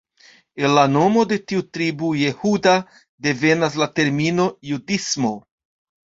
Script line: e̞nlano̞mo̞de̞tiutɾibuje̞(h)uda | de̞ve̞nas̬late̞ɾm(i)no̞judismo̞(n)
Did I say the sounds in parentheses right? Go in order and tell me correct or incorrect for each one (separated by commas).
correct, correct, incorrect